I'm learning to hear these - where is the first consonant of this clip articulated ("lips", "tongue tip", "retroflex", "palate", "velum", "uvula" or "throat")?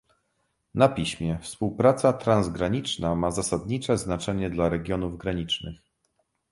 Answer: tongue tip